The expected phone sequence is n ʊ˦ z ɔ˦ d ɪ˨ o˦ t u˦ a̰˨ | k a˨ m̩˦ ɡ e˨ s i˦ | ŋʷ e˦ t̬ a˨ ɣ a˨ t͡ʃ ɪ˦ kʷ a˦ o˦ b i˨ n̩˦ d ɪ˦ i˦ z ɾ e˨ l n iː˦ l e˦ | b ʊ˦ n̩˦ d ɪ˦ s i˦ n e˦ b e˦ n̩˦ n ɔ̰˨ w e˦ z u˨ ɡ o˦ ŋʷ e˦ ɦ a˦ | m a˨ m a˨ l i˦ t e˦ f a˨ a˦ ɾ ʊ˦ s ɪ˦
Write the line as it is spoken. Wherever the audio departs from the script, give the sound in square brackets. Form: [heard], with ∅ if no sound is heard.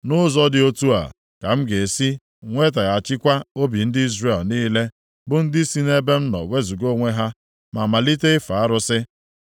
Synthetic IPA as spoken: n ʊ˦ z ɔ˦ d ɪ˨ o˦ t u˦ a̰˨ | k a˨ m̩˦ ɡ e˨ s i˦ | ŋʷ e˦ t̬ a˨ ɣ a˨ t͡ʃ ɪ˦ kʷ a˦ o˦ b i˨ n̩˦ d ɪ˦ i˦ z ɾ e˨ l n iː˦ l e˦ | b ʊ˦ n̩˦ d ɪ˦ s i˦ n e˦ b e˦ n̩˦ n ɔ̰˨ w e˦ z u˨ ɡ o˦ ŋʷ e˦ ɦ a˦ | m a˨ m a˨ l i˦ t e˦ f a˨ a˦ ɾ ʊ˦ s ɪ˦